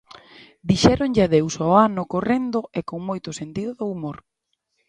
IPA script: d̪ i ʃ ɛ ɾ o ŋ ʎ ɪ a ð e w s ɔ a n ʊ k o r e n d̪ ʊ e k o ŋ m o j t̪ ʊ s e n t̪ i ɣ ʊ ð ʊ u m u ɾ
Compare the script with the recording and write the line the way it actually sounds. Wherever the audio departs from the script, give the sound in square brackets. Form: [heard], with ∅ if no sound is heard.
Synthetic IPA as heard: d̪ i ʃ ɛ ɾ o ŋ ʎ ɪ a ð e w s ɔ a n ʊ k o r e n d̪ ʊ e k o ŋ m o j t̪ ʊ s e n t̪ i [ð] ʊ ð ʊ u m [o] ɾ